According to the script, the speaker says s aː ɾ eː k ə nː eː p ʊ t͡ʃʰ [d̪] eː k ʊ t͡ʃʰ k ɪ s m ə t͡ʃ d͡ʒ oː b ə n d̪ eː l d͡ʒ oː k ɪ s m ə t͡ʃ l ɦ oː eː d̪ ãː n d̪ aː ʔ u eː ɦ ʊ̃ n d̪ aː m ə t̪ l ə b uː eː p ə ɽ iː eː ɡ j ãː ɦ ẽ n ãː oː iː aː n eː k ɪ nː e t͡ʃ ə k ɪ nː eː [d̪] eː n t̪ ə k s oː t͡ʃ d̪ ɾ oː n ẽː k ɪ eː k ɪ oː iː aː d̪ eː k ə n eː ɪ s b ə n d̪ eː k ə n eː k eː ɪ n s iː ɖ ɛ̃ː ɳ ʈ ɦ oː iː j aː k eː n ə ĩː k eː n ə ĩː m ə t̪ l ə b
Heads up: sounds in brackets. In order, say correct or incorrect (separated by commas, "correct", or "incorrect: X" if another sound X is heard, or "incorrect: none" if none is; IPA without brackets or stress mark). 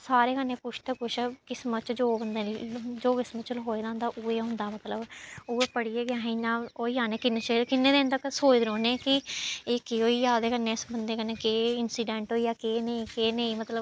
incorrect: t̪, correct